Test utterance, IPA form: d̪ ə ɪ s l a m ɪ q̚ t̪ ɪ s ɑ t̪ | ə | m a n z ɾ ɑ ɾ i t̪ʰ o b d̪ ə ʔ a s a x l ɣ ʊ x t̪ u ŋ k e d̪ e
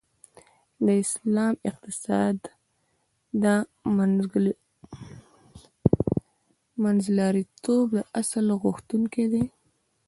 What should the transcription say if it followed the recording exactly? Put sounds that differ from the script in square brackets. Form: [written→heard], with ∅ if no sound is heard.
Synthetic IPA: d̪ ə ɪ s l [a→ɑ] m ɪ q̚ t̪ ɪ s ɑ [t̪→d̪] | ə | m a n z [ɾ→l] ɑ ɾ i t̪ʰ o b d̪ ə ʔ a s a [x→∅] l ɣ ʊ x t̪ u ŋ k e d̪ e

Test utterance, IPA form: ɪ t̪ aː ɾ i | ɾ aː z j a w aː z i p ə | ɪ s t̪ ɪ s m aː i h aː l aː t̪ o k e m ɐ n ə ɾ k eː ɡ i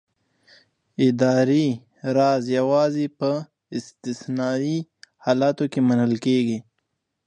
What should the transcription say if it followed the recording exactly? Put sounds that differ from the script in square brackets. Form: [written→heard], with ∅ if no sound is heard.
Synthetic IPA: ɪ [t̪→d̪] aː ɾ i | ɾ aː z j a w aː z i p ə | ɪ s t̪ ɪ s [m→n] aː i h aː l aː t̪ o k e m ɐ n ə [ɾ→l] k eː ɡ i

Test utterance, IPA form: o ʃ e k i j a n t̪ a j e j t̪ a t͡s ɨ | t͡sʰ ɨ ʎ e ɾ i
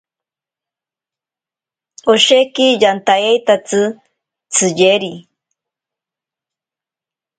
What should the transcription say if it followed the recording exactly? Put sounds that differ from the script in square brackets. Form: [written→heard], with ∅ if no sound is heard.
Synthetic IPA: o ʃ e k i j a n t̪ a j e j t̪ a t͡s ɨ | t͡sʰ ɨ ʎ e ɾ i

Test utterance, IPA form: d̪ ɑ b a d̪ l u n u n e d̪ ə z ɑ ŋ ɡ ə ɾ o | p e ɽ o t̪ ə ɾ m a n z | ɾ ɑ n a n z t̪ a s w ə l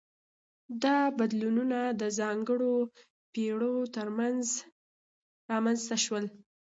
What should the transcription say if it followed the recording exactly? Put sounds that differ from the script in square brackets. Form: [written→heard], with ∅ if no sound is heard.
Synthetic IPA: d̪ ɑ b a d̪ l u n u n [e→a] d̪ ə z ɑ ŋ ɡ ə [ɾ→ɽ] o | p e ɽ o t̪ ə ɾ m a n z | ɾ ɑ [n→m] a n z t̪ a [s→ʃ] w ə l

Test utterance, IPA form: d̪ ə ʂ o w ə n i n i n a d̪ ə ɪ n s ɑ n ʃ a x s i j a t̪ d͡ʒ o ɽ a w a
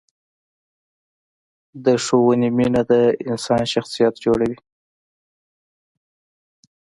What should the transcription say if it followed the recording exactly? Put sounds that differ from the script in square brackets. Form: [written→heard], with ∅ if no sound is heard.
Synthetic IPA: d̪ ə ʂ o w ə n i [n→m] i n a d̪ ə ɪ n s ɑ n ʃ a x s i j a t̪ d͡ʒ o ɽ a w [a→i]

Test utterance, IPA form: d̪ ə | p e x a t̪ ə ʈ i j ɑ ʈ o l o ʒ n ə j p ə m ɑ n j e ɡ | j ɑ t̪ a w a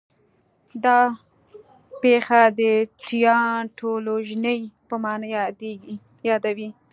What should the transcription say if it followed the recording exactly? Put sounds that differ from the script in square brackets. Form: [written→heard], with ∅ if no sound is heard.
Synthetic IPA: d̪ [ə→ɑ] | p e x a [t̪→d̪] ə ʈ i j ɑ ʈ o l o ʒ n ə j p ə m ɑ n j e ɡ | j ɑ [t̪→d̪] a w [a→i]

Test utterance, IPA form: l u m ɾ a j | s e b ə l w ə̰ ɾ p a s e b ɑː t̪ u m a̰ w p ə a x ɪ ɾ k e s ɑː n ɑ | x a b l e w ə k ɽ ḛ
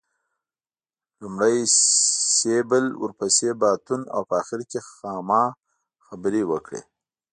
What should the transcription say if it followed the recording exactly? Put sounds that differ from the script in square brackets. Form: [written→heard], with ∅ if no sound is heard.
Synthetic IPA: l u m [ɾ→ɽ] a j | s e b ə l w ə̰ ɾ p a s e b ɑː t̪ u [m→n] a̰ w p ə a x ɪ ɾ k e [s→x] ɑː [n→m] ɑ | x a b [l→ɾ] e w ə k ɽ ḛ

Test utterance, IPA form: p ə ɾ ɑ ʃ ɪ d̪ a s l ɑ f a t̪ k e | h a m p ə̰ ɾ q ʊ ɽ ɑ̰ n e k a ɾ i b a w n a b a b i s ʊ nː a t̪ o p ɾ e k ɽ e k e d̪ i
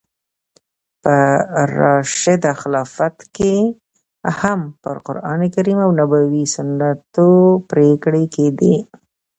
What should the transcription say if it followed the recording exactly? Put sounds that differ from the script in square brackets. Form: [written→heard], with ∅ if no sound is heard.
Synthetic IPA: p ə ɾ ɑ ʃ ɪ d̪ a [s→x] l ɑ f a t̪ k e | h a m p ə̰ ɾ q ʊ [ɽ→ɾ] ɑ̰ n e k a ɾ i [b→m] a w n a b a [b→w] i s ʊ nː a t̪ o p ɾ e k ɽ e k e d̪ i

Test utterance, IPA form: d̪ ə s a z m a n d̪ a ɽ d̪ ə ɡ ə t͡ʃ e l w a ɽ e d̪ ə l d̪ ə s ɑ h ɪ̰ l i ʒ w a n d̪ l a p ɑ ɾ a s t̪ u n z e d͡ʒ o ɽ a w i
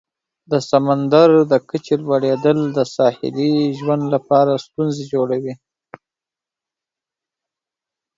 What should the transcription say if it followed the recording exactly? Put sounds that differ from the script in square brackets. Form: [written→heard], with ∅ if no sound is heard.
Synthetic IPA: d̪ ə s a [z→∅] m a n d̪ a [ɽ→ɾ] d̪ ə [ɡ→k] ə t͡ʃ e l w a ɽ e d̪ ə l d̪ ə s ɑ h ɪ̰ l i ʒ w a n d̪ l a p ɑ ɾ a s t̪ u n z e d͡ʒ o ɽ a w i

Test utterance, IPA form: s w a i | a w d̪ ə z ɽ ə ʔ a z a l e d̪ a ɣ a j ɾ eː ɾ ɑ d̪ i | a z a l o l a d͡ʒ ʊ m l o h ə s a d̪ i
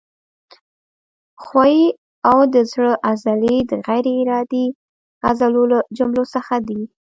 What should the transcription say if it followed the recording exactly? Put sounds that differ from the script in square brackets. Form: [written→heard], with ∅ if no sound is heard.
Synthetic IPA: [s→x] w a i | a w d̪ ə z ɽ ə ʔ a z a l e d̪ [a→ə] ɣ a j ɾ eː ɾ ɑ d̪ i | a z a l o l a d͡ʒ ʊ m l o [h→s] ə [s→x] a d̪ i

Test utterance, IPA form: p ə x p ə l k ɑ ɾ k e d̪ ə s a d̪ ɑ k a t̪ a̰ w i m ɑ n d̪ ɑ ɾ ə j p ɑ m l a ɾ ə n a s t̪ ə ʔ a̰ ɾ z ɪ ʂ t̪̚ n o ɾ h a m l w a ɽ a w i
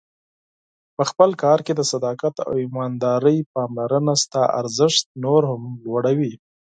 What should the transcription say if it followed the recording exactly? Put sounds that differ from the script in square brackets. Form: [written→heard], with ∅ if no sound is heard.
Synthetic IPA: p ə x p ə l k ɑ ɾ k e d̪ ə s a d̪ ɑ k a t̪ a̰ w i m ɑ n d̪ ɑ ɾ ə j p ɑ m l a ɾ ə n a s t̪ [ə→ɑ] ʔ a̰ ɾ z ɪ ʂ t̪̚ n o ɾ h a m l w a ɽ a w i

